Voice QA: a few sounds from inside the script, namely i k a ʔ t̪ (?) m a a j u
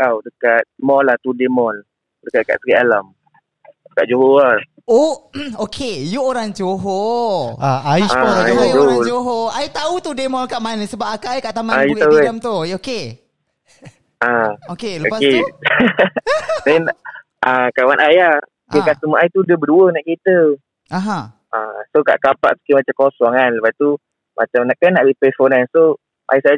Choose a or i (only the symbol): a